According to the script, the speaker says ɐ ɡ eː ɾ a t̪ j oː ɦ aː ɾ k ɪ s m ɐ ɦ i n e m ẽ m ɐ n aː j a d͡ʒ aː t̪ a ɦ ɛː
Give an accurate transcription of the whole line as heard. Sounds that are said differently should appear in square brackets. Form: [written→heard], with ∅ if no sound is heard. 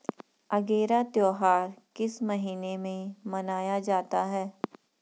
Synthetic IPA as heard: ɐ ɡ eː ɾ a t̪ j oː ɦ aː ɾ k ɪ s m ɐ ɦ [i→iː] n e m ẽ m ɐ n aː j a d͡ʒ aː t̪ a ɦ ɛː

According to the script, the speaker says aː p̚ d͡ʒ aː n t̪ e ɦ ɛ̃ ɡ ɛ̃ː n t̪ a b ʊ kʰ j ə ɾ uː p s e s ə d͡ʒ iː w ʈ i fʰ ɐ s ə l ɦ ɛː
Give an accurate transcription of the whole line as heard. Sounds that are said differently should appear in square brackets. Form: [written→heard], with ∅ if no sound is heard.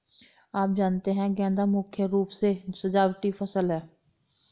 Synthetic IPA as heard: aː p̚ d͡ʒ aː n t̪ e ɦ ɛ̃ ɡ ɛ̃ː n [t̪→d̪] a [b→m] ʊ kʰ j ə ɾ uː p s e s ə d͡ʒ [iː→aː] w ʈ i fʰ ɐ s ə l ɦ ɛː

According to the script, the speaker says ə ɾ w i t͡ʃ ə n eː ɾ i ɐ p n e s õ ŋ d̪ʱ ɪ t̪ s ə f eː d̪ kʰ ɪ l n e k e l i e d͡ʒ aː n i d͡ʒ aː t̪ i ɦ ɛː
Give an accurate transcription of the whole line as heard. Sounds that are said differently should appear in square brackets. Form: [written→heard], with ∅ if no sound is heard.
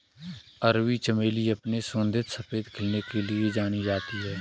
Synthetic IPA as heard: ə ɾ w i t͡ʃ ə [n→m] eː [ɾ→l] i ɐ p n e s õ [ŋ→n] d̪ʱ ɪ t̪ s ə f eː d̪ kʰ ɪ l n e k e l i e d͡ʒ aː n i d͡ʒ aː t̪ i ɦ ɛː

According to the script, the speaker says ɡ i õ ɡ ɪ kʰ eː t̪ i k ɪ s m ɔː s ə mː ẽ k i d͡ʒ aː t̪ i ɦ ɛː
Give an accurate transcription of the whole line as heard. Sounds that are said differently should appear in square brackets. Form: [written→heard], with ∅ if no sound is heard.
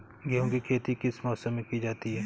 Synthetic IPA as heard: ɡ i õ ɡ [ɪ→i] kʰ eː t̪ i k ɪ s m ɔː s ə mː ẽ k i d͡ʒ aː t̪ i ɦ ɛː

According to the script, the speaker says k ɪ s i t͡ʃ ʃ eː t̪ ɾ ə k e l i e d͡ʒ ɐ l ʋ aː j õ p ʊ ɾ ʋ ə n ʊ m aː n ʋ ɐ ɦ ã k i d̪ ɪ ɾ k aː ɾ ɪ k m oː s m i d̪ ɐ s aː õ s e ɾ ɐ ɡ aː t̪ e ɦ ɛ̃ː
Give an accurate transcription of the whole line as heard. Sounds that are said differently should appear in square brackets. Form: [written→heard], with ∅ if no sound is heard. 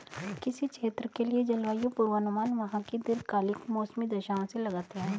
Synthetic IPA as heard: k ɪ s i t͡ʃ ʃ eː t̪ ɾ ə k e l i e d͡ʒ ɐ l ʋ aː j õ p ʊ ɾ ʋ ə n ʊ m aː n ʋ ɐ ɦ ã k i d̪ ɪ ɾ k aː [ɾ→l] ɪ k m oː s m i d̪ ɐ [s→ʃ] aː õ s e [ɾ→l] ɐ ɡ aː t̪ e ɦ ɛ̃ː

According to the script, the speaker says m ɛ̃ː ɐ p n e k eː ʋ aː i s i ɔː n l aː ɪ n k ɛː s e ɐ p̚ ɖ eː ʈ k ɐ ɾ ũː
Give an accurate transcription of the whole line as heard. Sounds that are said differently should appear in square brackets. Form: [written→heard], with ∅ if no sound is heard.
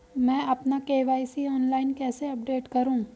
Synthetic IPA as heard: m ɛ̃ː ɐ p n [e→a] k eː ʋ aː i s i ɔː n l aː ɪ n k ɛː s e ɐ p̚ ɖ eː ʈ k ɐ ɾ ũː

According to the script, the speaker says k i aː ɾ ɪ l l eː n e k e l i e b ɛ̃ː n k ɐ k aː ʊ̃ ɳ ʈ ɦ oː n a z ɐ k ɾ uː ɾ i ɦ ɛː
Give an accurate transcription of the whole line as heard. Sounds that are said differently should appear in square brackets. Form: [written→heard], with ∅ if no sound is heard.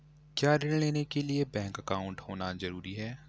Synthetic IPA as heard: k [i→j] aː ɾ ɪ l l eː n e k e l i e b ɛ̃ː [n→ŋ] k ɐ k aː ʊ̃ ɳ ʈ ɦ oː n a z ɐ [k→∅] ɾ uː ɾ i ɦ ɛː

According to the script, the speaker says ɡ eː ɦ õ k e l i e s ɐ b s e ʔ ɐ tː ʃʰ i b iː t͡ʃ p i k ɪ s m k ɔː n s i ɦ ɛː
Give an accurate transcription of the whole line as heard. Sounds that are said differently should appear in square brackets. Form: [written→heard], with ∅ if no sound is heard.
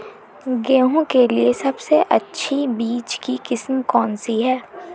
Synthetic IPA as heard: ɡ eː ɦ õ k e l i e s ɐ b s e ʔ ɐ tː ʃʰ i b iː t͡ʃ [p→k] i k ɪ s m k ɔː n s i ɦ ɛː

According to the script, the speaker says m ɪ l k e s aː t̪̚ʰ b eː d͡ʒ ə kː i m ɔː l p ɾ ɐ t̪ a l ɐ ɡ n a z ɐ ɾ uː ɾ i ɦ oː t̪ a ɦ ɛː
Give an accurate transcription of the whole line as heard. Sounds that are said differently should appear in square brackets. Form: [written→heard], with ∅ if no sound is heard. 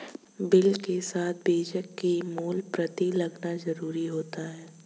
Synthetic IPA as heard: [m→b] ɪ l k e s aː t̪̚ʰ b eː d͡ʒ ə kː i m [ɔː→uː] l p ɾ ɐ t̪ [a→i] l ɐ ɡ n a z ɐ ɾ uː ɾ i ɦ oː t̪ a ɦ ɛː

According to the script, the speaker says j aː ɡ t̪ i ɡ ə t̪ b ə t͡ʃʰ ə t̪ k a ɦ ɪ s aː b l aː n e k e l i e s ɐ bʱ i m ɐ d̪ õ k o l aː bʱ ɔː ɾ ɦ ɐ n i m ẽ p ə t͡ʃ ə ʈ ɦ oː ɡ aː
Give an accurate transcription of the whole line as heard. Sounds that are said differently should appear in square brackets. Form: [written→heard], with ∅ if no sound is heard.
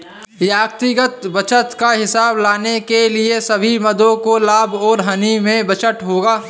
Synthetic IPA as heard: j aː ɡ t̪ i ɡ ə t̪ b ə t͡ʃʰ ə t̪ k a ɦ ɪ s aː b l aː n e k e l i e s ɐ bʱ i m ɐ d̪ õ k o l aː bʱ ɔː ɾ ɦ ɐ n i m ẽ [p→b] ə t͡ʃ ə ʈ ɦ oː ɡ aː

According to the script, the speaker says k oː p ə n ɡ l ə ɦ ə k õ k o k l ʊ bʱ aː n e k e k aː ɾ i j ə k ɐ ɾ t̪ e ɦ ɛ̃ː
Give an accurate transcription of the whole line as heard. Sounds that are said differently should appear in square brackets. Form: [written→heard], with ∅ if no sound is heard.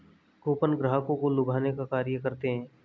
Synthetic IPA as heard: k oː p ə n ɡ [l→ɾ] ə ɦ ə k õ k o [k→∅] l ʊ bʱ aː n e k [e→a] k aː ɾ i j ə k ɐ ɾ t̪ e ɦ ɛ̃ː

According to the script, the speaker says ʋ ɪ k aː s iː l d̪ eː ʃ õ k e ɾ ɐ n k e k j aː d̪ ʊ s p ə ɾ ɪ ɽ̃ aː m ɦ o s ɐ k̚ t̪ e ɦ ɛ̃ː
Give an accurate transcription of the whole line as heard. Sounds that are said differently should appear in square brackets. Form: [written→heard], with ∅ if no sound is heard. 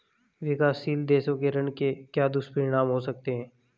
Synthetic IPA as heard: ʋ ɪ k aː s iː l d̪ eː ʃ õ k e ɾ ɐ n k e k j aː d̪ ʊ s p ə ɾ ɪ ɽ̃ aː m ɦ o s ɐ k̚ t̪ e ɦ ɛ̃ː

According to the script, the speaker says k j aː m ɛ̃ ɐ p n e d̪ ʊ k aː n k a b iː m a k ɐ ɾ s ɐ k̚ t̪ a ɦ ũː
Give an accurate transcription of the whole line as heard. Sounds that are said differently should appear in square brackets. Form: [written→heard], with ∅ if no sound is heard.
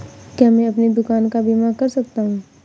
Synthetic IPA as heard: k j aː m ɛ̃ ɐ p n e d̪ ʊ k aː n k a b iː m a k ɐ ɾ s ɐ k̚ t̪ a ɦ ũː

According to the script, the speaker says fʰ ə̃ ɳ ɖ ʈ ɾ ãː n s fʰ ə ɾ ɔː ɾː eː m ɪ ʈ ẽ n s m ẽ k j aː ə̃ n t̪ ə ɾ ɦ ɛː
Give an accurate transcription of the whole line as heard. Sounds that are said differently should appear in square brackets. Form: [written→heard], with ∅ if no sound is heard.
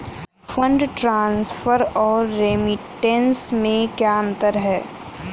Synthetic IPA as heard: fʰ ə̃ ɳ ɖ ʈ ɾ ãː n s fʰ ə ɾ ɔː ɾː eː m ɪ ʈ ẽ n s m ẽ k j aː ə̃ n t̪ ə ɾ ɦ ɛː

